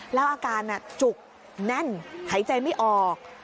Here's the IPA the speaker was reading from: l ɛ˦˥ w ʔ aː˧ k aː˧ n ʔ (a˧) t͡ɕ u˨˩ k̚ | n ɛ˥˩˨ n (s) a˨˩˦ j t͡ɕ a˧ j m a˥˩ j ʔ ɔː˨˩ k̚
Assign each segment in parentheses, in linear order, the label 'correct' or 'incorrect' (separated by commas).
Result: incorrect, incorrect